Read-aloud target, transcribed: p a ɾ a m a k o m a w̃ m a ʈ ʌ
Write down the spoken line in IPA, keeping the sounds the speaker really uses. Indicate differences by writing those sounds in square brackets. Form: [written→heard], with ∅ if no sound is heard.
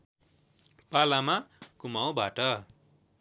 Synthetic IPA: p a [ɾ→l] a m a k [o→u] m a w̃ [m→b] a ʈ ʌ